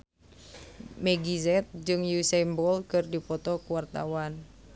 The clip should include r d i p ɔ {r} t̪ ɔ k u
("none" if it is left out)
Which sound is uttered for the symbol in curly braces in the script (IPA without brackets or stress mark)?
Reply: none